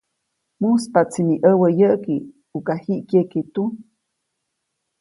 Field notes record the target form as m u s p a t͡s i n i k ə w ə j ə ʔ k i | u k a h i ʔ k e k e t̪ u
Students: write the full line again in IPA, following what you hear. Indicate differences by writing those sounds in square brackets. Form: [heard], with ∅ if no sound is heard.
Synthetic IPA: m u s p a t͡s i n i [ʔ] ə w ə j ə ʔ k i | u k a h i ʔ k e k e t̪ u